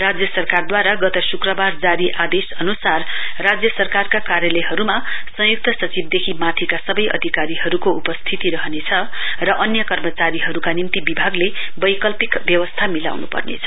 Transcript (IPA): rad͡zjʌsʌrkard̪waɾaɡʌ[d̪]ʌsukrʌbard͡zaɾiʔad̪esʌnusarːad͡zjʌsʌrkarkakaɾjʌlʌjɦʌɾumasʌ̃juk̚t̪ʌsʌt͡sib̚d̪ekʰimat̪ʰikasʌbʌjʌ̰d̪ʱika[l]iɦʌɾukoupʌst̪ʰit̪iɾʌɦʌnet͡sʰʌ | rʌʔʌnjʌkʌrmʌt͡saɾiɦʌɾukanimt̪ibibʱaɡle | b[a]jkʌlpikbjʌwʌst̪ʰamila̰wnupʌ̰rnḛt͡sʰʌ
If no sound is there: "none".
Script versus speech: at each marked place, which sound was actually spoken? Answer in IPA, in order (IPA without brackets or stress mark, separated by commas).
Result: t̪, ɾ, ʌ